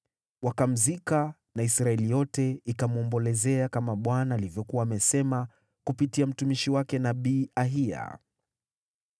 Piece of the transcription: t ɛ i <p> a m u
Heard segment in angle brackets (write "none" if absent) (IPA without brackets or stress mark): k